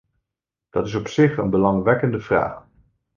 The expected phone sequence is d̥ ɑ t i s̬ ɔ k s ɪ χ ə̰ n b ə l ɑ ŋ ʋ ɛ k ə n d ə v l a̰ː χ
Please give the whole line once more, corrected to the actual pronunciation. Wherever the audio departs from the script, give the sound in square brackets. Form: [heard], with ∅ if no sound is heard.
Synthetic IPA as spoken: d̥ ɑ t [ɪ] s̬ ɔ [p] s ɪ χ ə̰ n b ə l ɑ ŋ ʋ ɛ k ə n d ə v [r] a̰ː χ